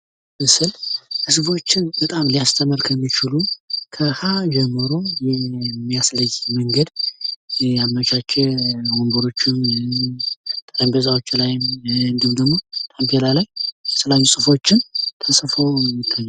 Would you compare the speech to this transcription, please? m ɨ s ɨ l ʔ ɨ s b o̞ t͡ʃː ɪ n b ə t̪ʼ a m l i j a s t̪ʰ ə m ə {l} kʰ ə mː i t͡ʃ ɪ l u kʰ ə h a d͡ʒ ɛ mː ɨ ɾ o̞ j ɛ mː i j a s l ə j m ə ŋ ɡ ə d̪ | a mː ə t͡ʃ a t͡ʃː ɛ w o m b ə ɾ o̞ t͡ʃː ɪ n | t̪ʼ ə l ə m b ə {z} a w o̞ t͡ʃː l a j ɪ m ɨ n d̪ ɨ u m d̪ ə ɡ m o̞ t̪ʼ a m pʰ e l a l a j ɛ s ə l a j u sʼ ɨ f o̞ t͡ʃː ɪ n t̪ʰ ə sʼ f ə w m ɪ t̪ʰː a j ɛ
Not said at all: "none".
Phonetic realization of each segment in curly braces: ɾ, z

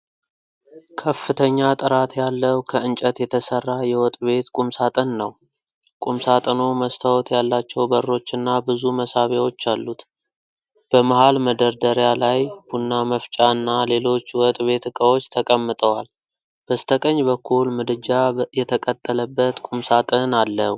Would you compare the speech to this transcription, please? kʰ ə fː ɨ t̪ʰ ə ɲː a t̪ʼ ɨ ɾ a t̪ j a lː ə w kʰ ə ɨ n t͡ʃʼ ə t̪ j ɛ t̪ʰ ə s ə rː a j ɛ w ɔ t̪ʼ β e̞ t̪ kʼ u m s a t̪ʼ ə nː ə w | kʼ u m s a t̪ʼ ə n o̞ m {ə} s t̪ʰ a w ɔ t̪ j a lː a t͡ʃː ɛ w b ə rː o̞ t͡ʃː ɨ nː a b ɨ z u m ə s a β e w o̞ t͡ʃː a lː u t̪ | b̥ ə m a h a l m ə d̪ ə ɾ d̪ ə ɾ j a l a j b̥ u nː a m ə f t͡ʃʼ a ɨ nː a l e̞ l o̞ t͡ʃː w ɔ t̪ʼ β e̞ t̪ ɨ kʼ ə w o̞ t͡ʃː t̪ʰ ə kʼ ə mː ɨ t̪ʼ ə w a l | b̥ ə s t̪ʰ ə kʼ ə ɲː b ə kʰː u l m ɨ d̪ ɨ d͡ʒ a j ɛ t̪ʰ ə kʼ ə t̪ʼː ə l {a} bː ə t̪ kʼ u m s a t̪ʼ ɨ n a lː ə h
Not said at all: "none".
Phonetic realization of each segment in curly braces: ə, ə

